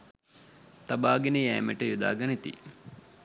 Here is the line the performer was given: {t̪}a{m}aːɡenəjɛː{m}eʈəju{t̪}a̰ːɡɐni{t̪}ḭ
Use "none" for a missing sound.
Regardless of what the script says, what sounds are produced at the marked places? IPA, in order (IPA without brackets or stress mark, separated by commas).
t̪, b, m, d̪, t̪